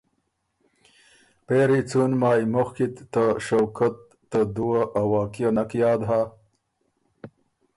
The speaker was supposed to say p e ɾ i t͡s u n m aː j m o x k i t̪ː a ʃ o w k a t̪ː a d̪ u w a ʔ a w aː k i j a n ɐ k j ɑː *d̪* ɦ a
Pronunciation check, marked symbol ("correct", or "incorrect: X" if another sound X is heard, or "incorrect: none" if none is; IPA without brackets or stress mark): correct